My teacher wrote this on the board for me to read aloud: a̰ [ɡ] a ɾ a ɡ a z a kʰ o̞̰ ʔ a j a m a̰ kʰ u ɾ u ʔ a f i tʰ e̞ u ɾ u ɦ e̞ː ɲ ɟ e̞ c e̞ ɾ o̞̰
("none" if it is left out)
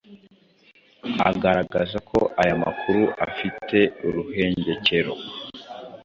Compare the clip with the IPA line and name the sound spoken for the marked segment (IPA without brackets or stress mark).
ɡ